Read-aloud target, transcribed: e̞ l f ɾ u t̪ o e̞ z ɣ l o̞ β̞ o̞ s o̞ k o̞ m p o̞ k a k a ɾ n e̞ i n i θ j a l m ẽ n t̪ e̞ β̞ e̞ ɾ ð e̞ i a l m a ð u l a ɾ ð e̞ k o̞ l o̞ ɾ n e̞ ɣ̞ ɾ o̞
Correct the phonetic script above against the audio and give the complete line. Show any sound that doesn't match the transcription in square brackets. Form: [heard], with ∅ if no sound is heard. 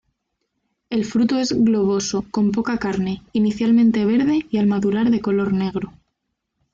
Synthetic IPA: e̞ l f ɾ u t̪ o e̞ z ɣ l o̞ β̞ o̞ s o̞ k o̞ m p o̞ k a k a ɾ n e̞ i n i θ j a l m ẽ n t̪ e̞ β̞ e̞ ɾ ð e̞ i a l m a ð u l a ɾ ð e̞ k o̞ l o̞ ɾ n e̞ ɣ̞ ɾ o̞